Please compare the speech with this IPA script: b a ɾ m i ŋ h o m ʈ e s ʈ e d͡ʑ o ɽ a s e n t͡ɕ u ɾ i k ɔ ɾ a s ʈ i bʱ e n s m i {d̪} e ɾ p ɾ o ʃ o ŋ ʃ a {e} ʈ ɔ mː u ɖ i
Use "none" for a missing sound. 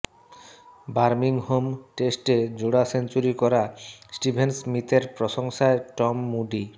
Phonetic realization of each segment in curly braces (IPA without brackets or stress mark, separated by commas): t̪, e